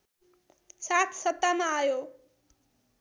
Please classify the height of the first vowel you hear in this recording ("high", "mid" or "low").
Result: low